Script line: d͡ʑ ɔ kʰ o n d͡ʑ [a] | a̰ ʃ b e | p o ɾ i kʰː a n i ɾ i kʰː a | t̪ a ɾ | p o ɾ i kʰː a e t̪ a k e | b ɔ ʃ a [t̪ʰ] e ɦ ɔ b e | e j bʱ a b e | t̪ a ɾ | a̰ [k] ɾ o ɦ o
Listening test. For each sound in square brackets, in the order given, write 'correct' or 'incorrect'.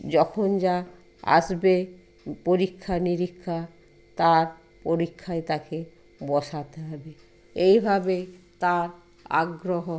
correct, incorrect, incorrect

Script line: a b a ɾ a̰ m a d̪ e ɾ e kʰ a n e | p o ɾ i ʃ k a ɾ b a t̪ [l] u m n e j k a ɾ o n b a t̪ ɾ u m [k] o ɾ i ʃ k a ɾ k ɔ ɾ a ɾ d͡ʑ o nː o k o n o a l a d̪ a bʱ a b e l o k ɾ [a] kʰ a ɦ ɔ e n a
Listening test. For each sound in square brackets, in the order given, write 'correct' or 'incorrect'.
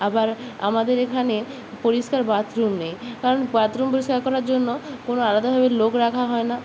incorrect, incorrect, correct

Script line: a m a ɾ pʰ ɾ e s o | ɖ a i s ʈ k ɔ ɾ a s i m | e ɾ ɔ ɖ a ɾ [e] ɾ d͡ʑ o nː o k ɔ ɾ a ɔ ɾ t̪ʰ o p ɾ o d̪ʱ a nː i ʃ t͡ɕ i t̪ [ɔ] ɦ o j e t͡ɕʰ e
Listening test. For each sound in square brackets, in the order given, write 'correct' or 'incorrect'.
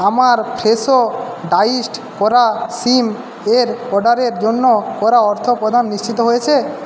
correct, incorrect

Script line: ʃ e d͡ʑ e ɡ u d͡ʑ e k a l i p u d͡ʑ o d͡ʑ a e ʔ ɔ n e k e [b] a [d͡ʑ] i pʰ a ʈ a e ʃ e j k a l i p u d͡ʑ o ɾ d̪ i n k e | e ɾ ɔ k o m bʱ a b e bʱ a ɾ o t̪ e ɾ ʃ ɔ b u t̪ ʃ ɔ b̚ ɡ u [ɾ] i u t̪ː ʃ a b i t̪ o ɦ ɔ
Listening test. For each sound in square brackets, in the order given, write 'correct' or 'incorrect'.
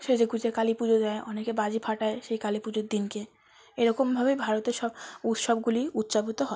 correct, correct, incorrect

